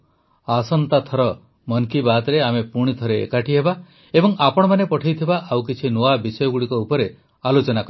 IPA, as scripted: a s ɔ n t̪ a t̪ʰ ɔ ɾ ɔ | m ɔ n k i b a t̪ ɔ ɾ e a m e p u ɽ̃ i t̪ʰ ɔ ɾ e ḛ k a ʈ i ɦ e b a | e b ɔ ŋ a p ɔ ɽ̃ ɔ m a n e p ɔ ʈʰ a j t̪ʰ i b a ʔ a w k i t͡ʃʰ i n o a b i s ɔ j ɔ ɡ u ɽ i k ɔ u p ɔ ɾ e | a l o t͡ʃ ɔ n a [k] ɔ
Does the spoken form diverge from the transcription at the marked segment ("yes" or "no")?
no